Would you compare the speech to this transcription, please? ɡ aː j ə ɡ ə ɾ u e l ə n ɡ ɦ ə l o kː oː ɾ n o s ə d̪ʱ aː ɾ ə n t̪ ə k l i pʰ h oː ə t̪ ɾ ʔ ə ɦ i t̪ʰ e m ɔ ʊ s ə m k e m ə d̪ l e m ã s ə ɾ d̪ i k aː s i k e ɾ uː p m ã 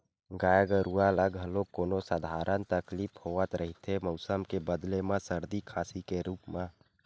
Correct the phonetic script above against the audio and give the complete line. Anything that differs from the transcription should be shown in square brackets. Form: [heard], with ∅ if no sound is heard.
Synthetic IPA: ɡ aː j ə ɡ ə ɾ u [a] l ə [∅] ɡ ɦ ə l o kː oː [∅] n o s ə d̪ʱ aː ɾ ə n t̪ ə k l i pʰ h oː ə t̪ ɾ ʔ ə ɦ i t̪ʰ e m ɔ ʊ s ə m k e [b] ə d̪ l e m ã s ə ɾ d̪ i [kʰ] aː s i k e ɾ uː p m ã